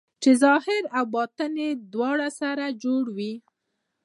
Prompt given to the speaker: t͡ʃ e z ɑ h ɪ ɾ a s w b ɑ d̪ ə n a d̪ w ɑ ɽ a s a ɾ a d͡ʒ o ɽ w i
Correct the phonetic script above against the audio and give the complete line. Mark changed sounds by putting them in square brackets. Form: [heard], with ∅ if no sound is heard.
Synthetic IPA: t͡ʃ e z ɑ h ɪ ɾ a [∅] w b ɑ [t̪] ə n [e] d̪ w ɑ ɽ a s a ɾ a d͡ʒ o ɽ w i